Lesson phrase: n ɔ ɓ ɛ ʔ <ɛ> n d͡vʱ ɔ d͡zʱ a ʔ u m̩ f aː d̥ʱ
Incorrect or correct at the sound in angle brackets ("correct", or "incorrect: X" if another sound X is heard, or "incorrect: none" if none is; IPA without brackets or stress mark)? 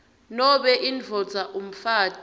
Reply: incorrect: i